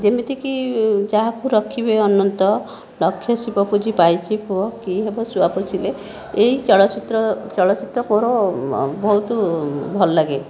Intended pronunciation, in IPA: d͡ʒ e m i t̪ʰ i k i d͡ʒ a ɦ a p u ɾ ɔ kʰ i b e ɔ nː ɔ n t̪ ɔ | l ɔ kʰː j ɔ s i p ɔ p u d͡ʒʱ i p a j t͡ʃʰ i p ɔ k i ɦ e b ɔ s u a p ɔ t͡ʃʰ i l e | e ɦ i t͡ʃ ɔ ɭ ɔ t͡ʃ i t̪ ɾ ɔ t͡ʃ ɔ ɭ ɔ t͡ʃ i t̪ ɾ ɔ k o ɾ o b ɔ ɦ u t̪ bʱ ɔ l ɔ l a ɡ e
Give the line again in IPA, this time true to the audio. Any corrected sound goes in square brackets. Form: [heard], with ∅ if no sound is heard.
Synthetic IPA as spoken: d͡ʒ e m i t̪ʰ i k i d͡ʒ a ɦ a [k] u ɾ ɔ kʰ i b e ɔ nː ɔ n t̪ ɔ | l ɔ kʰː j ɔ s i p ɔ p u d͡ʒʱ i p a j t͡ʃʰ i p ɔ k i ɦ e b ɔ s u a p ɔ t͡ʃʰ i l e | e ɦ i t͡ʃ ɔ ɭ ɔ t͡ʃ i t̪ ɾ ɔ t͡ʃ ɔ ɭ ɔ t͡ʃ i t̪ ɾ ɔ k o ɾ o b ɔ ɦ u t̪ bʱ ɔ l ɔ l a ɡ e